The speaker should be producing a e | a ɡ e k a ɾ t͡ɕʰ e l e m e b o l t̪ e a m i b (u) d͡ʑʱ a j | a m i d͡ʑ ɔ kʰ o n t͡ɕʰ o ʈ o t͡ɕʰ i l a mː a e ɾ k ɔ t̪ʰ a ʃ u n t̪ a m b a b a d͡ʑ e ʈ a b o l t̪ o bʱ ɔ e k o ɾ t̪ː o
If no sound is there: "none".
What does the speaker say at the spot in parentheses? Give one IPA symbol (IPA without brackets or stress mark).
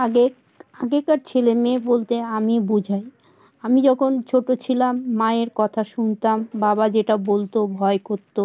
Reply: u